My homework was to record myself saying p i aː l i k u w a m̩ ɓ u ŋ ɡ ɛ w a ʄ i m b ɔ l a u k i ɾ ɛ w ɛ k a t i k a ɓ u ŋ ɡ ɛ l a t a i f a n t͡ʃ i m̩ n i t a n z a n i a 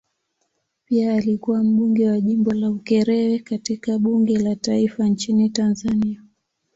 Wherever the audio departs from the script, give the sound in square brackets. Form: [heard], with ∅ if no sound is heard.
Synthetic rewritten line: p i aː l i k u w a m̩ ɓ u ŋ ɡ ɛ w a ʄ i m b ɔ l a u k [ɛ] ɾ ɛ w ɛ k a t i k a ɓ u ŋ ɡ ɛ l a t a i f a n t͡ʃ i [∅] n i t a n z a n i a